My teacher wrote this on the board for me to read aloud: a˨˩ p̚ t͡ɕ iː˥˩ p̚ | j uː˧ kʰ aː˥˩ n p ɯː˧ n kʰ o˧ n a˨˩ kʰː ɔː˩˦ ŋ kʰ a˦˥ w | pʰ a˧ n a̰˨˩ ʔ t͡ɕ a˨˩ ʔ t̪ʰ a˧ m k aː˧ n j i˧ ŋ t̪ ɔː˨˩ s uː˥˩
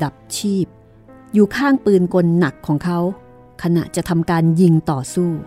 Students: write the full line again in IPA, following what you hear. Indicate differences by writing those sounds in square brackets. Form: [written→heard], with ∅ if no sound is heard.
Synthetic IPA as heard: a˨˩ p̚ [t͡ɕ→t͡ɕʰ] iː˥˩ p̚ | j [uː˧→uː˨˩] kʰ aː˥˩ [n→ŋ] p ɯː˧ n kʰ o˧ [n→nː] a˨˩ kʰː ɔː˩˦ ŋ kʰ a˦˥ w | [pʰ→kʰ] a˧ n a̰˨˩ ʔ t͡ɕ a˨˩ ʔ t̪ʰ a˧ m k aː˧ n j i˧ ŋ t̪ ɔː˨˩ s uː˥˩